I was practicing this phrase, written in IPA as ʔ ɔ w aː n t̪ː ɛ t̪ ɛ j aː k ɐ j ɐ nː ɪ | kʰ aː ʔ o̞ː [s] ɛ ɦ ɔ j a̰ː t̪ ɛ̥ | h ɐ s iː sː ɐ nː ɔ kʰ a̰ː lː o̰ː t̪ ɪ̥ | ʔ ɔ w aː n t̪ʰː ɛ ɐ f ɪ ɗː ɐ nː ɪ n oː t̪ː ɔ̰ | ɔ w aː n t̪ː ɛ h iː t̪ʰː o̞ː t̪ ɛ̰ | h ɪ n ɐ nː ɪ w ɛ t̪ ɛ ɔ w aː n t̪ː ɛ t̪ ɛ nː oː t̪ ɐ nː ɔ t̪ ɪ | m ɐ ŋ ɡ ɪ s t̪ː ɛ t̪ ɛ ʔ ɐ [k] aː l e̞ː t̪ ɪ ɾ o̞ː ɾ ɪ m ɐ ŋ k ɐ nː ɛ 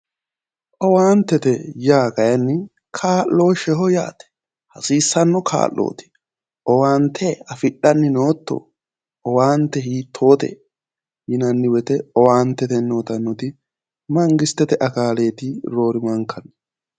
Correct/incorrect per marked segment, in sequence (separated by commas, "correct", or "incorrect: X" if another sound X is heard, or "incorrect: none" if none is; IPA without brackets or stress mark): incorrect: ʃ, correct